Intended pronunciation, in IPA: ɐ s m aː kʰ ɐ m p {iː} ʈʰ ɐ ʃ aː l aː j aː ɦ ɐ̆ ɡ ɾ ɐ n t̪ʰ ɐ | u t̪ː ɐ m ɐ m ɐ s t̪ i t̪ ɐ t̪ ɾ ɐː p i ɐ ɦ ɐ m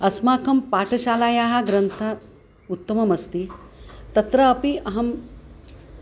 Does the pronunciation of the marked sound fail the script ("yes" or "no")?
yes